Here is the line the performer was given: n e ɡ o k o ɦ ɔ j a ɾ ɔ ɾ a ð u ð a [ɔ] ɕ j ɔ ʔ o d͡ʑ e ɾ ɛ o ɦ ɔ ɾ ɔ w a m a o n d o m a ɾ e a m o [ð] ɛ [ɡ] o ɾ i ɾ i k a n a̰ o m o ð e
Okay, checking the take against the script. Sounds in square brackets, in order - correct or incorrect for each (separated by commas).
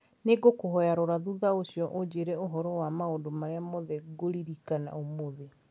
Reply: incorrect, correct, correct